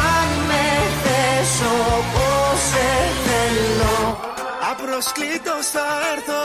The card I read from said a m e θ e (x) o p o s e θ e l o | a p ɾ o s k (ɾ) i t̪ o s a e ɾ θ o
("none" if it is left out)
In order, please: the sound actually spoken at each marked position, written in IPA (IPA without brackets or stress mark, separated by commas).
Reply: s, l